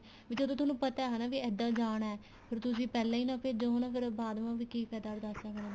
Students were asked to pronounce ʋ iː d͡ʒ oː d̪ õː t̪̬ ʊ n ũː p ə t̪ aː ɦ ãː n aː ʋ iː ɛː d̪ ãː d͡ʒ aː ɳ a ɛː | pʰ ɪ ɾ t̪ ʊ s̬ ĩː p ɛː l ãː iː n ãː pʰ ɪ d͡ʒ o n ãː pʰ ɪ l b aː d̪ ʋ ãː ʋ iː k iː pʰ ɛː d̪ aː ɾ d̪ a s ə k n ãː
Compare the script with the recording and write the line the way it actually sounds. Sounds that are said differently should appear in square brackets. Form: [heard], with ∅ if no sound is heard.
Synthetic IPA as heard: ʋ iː d͡ʒ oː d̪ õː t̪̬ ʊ n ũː p ə t̪ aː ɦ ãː n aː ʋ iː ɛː d̪ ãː d͡ʒ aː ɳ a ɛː | pʰ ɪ ɾ t̪ ʊ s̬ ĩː p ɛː l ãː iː n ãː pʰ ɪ d͡ʒ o n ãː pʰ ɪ [ɾ] b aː d̪ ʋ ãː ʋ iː k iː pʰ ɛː d̪ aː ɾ d̪ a s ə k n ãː